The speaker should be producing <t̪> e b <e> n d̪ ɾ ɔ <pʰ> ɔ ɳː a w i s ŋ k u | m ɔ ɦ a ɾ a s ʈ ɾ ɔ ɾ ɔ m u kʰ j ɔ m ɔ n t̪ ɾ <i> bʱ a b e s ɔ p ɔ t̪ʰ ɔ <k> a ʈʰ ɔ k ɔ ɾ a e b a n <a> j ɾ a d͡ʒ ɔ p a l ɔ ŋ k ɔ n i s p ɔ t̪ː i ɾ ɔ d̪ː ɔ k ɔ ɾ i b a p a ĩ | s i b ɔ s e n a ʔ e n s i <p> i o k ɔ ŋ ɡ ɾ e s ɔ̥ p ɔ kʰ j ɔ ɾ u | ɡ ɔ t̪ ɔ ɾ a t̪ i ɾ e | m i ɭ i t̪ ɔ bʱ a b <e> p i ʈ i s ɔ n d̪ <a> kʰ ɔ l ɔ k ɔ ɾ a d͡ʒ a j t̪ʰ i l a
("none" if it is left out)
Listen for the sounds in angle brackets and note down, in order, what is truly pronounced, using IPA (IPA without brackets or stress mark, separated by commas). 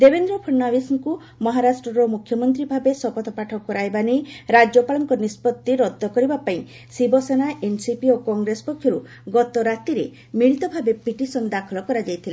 d̪, e, pʰ, i, p, e, p, e, a